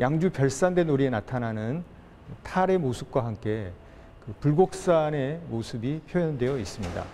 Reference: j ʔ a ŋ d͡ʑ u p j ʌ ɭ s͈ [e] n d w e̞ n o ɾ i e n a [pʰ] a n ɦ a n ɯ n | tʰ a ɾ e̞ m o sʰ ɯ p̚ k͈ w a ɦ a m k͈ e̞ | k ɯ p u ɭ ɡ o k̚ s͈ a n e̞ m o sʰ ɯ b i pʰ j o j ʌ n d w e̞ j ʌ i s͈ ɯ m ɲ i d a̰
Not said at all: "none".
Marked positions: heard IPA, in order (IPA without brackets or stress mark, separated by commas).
a, tʰ